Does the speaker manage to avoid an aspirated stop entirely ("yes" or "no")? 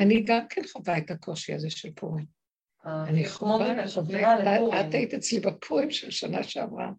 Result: no